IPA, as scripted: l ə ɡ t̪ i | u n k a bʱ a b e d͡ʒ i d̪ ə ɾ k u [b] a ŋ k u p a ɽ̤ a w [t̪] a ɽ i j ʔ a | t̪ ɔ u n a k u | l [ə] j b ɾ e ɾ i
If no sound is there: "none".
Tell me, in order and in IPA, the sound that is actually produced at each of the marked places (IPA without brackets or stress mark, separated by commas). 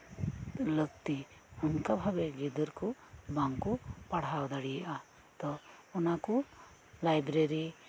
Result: b, d̪, a